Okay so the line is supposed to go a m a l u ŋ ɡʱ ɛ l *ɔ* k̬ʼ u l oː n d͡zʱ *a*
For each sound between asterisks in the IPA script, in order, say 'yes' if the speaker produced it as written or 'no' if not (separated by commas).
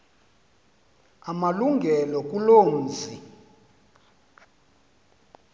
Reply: yes, no